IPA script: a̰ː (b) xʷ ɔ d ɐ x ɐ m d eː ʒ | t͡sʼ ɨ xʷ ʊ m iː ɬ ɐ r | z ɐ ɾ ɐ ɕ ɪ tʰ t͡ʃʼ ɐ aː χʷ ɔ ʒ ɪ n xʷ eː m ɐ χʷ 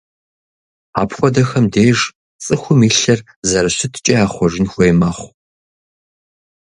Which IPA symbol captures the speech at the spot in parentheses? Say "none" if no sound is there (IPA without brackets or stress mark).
p